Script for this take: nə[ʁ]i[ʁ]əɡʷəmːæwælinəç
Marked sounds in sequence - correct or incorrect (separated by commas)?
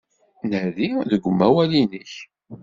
incorrect, incorrect